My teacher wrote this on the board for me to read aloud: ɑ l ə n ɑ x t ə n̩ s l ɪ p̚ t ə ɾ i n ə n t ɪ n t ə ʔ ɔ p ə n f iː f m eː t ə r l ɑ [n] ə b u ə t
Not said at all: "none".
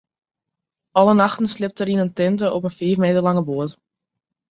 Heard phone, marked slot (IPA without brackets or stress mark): ŋ